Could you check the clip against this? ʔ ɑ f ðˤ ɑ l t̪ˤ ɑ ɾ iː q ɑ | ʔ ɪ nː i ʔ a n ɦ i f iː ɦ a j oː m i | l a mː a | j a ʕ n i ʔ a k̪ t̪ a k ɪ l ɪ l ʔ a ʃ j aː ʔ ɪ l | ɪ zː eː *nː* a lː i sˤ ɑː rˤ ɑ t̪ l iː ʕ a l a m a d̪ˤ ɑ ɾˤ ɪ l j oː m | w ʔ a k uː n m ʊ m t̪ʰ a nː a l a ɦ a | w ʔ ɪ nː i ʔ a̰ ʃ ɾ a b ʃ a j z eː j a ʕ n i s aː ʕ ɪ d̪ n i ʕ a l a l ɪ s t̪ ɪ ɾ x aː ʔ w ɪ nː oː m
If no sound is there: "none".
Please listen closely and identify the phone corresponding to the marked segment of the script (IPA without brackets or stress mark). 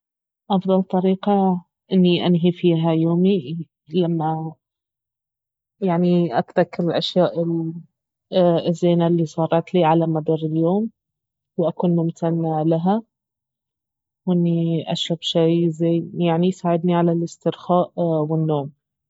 n